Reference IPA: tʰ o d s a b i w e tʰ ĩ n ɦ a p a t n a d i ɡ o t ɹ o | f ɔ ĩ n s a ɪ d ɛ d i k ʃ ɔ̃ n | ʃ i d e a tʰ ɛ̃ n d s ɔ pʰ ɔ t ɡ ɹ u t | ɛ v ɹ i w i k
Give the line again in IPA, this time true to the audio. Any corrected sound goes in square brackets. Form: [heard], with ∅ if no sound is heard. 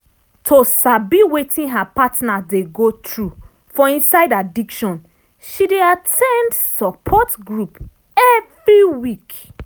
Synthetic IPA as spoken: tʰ o [∅] s a b i w e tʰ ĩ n ɦ a p a t n a d [e] ɡ o t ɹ [u] | f ɔ ĩ n s a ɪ d [a] d i k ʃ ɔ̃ n | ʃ i d e a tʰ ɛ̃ n d s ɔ pʰ ɔ t ɡ ɹ u [p] | ɛ v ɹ i w i k